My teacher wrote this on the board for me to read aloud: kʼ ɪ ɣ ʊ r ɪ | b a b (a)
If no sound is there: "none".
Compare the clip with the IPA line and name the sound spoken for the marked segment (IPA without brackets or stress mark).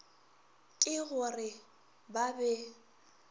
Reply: ɛ